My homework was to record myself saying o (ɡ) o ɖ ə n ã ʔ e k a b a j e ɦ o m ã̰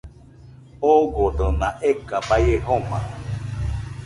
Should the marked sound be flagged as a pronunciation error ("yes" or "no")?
no